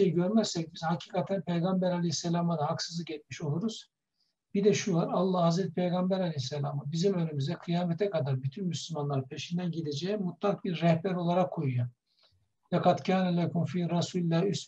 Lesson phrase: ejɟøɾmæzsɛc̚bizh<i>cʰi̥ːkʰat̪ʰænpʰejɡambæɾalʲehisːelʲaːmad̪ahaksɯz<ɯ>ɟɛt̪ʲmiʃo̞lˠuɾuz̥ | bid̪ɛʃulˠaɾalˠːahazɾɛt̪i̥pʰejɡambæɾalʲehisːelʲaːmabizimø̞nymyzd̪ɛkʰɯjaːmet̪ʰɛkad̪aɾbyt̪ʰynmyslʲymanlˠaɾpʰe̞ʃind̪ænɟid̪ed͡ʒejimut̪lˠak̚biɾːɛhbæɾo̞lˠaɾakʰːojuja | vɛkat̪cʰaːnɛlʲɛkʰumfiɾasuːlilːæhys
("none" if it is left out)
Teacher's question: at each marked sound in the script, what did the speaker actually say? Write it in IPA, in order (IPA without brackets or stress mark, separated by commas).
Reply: a, ɯ